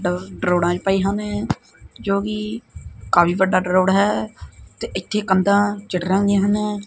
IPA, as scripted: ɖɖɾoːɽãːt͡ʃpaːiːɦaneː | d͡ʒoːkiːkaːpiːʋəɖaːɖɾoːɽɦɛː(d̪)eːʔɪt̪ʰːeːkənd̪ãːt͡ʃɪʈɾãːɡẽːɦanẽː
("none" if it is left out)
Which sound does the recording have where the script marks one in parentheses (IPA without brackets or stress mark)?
t̪